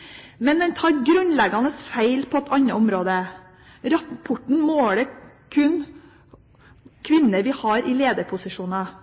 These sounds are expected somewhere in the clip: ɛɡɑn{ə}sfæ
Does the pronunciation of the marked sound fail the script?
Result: no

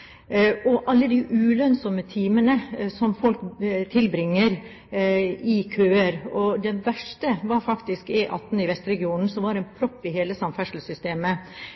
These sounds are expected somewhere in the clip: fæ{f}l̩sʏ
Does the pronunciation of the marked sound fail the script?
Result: yes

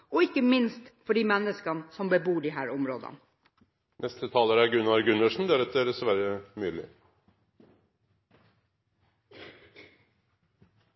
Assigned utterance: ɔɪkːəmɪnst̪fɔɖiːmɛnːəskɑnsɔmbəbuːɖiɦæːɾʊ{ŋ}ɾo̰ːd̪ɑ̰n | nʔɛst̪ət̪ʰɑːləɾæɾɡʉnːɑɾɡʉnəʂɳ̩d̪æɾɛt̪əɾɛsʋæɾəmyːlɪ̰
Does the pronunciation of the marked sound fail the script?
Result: yes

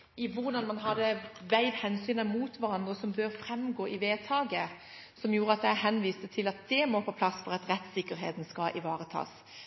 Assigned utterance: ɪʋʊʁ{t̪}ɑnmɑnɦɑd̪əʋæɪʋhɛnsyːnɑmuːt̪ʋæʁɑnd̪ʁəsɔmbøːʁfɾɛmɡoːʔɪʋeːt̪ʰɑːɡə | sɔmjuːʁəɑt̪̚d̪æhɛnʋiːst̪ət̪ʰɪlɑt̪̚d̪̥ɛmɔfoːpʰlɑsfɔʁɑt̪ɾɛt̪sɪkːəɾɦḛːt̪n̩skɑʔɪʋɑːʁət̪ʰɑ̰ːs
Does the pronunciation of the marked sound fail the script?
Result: yes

